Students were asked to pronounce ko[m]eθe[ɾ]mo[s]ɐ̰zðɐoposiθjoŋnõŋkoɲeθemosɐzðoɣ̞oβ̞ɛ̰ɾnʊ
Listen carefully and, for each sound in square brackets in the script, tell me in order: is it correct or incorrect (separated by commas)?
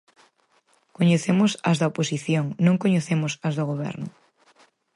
incorrect, incorrect, correct